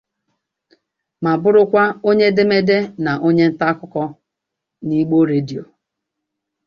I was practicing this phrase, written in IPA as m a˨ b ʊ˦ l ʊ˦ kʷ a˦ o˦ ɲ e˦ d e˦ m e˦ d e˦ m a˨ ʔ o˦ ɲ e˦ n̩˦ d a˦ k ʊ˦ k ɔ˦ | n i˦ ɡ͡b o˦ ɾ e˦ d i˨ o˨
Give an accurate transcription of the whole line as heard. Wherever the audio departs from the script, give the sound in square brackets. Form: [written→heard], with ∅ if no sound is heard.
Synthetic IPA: m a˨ b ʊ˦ [l→ɾ] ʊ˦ kʷ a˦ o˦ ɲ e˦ d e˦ m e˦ d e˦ [m→n] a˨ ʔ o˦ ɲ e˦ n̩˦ [d→t] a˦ k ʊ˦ k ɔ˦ | n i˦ ɡ͡b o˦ ɾ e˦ d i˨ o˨